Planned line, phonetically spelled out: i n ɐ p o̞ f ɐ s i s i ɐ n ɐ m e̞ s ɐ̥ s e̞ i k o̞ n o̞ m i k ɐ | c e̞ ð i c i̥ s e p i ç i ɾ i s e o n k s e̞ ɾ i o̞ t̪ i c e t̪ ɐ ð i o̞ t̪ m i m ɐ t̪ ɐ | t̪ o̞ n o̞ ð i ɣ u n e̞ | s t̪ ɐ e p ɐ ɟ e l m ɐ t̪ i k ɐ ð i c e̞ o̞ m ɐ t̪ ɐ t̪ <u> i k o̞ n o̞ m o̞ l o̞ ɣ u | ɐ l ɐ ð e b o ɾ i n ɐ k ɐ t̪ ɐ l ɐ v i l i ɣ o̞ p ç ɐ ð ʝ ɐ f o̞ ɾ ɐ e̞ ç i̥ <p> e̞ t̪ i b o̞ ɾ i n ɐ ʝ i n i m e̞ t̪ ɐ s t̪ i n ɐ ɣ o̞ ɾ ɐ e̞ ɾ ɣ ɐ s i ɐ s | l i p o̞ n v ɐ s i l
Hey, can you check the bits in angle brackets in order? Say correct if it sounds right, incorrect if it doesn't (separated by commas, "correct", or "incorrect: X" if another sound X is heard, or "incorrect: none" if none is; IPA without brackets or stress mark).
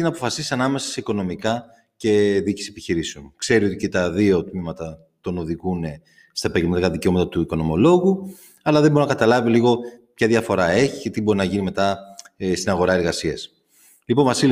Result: correct, incorrect: c